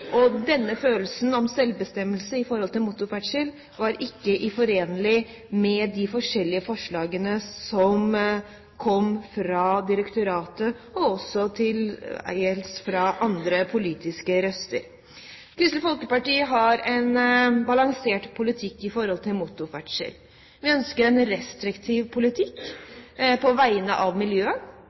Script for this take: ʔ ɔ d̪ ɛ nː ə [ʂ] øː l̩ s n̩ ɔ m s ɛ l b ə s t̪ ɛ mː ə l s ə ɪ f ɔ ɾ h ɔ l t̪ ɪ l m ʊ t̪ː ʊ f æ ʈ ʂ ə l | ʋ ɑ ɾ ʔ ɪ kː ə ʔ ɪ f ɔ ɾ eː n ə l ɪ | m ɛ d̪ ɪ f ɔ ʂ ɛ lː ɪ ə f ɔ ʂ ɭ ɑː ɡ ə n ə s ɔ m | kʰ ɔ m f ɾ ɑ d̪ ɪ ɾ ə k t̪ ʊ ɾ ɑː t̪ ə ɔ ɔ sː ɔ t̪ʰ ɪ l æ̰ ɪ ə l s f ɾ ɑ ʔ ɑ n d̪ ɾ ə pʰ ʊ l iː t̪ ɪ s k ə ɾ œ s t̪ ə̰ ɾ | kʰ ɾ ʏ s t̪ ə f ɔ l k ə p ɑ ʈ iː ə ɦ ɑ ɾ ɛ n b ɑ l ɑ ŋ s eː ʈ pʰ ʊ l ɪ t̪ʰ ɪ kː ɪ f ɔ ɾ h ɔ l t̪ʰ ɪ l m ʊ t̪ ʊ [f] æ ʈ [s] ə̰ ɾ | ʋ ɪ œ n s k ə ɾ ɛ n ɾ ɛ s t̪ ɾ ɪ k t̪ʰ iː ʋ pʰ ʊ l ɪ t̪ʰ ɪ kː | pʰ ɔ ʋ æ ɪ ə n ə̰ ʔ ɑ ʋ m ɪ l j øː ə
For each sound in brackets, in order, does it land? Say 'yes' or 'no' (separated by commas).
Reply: no, yes, no